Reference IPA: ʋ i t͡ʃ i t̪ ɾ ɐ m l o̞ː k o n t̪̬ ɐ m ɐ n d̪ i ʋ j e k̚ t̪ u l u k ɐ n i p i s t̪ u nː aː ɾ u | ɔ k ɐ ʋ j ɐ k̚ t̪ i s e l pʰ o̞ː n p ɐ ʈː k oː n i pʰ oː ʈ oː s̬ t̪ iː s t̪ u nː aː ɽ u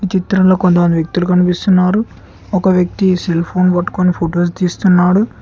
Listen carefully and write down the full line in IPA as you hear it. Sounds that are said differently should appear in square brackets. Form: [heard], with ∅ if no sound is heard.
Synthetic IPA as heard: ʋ i t͡ʃ i t̪ ɾ ɐ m l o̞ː k o n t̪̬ ɐ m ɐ n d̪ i ʋ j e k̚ t̪ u l u k ɐ n i p i s t̪ u nː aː ɾ u | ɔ k ɐ ʋ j ɐ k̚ t̪ i s e l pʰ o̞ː n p ɐ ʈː k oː n i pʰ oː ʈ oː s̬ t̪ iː s t̪ u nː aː ɽ u